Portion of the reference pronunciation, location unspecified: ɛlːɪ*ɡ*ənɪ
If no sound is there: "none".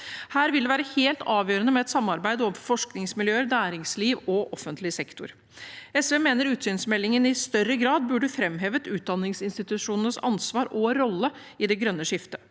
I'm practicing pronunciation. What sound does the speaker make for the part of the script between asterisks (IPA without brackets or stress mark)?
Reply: ŋ